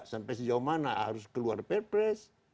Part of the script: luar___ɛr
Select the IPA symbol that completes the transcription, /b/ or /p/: p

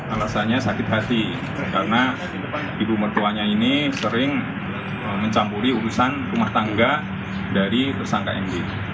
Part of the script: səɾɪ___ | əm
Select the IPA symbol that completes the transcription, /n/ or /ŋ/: ŋ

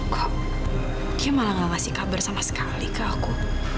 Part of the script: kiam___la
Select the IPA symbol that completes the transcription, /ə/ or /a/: a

